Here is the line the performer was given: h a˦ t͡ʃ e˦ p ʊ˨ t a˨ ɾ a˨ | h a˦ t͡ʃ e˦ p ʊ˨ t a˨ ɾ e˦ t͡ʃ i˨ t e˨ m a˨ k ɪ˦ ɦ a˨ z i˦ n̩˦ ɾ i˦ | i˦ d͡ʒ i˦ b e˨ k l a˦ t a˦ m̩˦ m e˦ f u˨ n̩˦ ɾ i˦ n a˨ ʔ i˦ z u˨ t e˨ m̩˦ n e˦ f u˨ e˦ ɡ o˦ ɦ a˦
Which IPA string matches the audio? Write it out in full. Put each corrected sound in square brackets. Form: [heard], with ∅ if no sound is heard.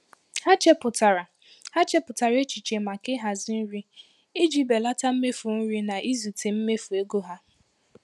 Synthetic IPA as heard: h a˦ t͡ʃ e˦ p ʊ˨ t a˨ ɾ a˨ | h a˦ t͡ʃ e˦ p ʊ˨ t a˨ ɾ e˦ t͡ʃ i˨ [t͡ʃ] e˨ m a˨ k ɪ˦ ɦ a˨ z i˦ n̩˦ ɾ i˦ | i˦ d͡ʒ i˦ b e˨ [∅] l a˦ t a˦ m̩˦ m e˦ f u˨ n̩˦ ɾ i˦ n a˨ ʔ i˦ z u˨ t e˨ m̩˦ [m] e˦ f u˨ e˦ ɡ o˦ ɦ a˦